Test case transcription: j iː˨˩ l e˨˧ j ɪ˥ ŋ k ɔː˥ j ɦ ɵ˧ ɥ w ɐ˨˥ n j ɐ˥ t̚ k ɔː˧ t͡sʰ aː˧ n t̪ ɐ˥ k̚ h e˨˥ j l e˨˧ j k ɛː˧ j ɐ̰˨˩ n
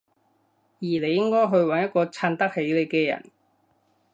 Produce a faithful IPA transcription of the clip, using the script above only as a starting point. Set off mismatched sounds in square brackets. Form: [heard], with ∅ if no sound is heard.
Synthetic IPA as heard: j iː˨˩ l e˨˧ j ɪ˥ ŋ k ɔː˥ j ɦ ɵ˧ ɥ w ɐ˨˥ n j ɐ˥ t̚ k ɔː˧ t͡sʰ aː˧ n t̪ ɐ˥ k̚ h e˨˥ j l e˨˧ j k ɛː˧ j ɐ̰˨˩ n